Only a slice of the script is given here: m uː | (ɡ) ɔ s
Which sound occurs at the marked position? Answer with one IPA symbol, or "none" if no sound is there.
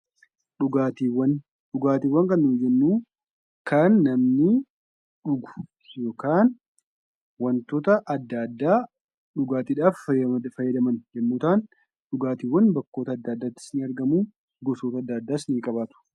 ɡ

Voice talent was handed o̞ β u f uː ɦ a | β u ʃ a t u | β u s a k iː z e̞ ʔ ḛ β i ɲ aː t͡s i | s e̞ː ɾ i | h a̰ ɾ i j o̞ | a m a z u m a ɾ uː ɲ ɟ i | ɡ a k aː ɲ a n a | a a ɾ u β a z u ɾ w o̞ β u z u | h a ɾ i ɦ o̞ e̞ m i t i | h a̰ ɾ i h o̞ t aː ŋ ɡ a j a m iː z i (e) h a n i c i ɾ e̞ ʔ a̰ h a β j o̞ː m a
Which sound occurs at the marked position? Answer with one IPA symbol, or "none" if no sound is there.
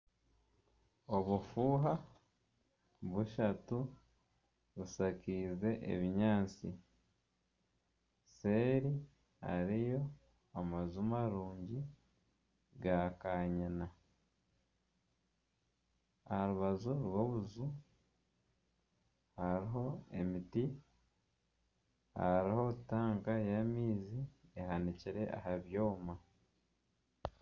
e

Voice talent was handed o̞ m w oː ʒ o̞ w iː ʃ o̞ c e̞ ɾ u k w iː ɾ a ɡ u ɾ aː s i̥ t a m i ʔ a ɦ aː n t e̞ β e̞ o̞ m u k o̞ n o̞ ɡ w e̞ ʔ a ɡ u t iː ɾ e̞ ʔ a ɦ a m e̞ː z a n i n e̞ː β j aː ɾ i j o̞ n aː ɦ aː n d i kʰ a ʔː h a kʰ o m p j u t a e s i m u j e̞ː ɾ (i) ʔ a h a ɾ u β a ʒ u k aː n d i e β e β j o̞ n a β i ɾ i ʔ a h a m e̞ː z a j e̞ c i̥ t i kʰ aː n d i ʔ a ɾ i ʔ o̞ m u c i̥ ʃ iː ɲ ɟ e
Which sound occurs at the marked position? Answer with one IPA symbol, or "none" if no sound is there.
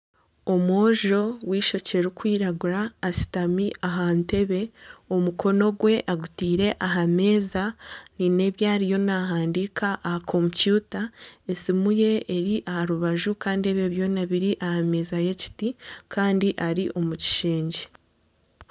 i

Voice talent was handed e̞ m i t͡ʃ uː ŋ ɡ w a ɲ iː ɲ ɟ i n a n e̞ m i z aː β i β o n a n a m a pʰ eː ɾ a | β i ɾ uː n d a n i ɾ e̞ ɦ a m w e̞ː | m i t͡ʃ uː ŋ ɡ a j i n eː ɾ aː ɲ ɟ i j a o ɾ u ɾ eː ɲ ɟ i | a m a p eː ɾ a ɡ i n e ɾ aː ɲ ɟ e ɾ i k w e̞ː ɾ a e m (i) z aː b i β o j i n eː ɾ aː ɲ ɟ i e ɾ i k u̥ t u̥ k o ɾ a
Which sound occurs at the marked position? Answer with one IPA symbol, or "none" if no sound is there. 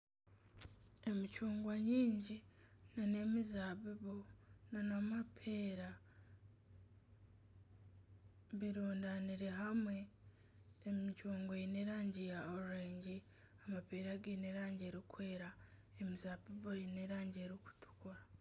i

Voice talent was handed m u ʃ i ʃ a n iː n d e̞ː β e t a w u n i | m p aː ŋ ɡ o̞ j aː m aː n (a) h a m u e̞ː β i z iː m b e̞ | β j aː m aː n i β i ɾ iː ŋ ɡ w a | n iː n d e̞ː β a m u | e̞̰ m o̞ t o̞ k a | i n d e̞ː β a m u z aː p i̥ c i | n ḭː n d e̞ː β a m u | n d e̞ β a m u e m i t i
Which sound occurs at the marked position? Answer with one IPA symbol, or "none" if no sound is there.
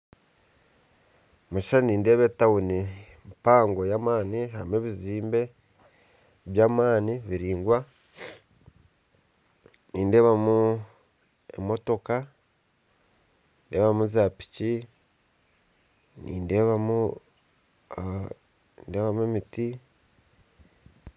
i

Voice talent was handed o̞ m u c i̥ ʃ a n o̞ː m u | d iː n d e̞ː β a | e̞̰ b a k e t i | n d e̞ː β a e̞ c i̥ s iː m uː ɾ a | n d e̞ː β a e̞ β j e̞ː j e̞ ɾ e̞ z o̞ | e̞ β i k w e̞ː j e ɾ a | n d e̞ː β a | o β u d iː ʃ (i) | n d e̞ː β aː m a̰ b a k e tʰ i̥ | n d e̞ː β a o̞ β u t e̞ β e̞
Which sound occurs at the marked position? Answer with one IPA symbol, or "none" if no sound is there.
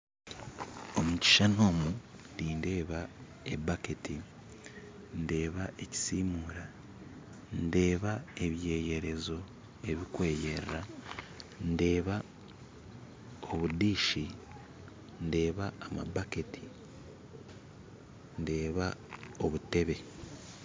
i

